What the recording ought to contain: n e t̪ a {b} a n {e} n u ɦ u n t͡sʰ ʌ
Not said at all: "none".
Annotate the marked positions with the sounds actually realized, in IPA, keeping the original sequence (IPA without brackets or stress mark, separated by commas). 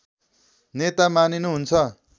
m, i